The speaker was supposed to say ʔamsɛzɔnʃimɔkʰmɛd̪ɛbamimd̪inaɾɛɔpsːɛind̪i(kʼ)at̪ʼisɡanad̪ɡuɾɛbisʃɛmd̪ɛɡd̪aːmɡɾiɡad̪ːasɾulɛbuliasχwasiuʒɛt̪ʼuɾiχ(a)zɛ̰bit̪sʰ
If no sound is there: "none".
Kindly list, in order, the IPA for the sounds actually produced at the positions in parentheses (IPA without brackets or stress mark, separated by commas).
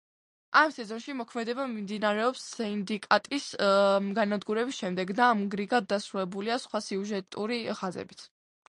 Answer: kʼ, a